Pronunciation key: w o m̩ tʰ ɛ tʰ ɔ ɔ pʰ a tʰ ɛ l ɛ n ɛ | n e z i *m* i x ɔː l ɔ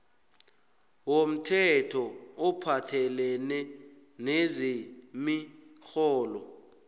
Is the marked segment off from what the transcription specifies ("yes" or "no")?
no